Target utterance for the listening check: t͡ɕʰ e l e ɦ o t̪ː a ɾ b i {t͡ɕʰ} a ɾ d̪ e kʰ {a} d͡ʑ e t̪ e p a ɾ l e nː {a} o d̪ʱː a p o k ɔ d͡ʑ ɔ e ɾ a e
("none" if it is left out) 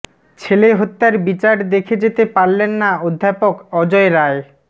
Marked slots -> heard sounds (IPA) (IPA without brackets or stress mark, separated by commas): t͡ɕ, e, a